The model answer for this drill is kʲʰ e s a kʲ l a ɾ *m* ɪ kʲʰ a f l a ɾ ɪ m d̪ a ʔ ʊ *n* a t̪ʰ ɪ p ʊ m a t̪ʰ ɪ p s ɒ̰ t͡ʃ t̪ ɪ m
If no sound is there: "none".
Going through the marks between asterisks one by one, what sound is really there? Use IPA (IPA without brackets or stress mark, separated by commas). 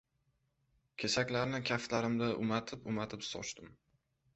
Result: n, m